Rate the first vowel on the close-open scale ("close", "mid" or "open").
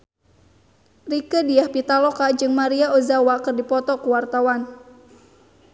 close